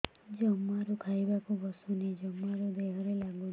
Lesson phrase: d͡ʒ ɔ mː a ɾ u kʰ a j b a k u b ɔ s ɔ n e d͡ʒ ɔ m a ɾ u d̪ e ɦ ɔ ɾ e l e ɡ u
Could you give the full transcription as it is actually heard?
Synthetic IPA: d͡ʒ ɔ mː a ɾ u kʰ a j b a k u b ɔ s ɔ n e d͡ʒ ɔ m a ɾ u d̪ e ɦ ɔ ɾ e l a ɡ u